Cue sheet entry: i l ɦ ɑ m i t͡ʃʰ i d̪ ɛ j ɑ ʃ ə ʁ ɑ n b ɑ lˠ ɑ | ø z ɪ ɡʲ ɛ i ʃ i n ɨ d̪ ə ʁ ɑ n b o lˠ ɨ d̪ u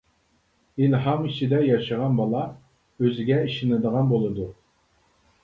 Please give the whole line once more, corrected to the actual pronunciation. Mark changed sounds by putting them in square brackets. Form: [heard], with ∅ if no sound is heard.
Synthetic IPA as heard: i l ɦ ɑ m i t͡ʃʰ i d̪ ɛ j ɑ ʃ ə ʁ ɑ n b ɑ lˠ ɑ | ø z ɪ ɡʲ ɛ i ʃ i n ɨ d̪ ə ʁ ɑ n b o lˠ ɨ d̪ u